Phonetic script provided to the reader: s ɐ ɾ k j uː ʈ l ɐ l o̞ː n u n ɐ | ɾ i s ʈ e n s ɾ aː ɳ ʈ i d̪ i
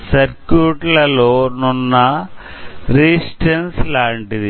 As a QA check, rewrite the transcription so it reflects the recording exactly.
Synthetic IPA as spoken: s ɐ ɾ k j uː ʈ l ɐ l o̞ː n u nː ɐ | ɾ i s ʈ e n s l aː ɳ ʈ i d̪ i